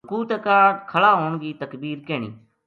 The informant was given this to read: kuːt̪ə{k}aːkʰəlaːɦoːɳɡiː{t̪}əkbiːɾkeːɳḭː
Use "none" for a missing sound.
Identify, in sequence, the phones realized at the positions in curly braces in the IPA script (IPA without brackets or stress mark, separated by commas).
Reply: k, t̪